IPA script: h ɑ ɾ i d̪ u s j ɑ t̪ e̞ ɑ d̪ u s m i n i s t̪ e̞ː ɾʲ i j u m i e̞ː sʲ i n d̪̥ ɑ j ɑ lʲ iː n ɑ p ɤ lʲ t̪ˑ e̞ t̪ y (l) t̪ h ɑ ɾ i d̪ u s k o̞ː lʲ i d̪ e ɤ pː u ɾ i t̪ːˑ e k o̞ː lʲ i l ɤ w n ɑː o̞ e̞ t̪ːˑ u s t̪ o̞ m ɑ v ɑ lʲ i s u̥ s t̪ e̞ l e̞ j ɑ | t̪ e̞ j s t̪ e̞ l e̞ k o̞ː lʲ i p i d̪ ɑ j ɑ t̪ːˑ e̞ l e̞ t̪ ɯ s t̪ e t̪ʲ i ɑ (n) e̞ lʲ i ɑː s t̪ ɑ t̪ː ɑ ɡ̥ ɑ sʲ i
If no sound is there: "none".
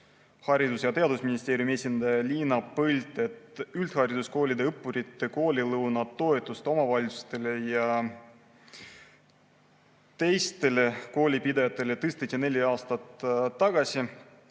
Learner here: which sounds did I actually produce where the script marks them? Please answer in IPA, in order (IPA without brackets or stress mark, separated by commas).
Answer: l, n